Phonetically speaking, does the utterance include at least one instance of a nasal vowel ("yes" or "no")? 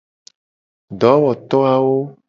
no